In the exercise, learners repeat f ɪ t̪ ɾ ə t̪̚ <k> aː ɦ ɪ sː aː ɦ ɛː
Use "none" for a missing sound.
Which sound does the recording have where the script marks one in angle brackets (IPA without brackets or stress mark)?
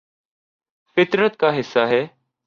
k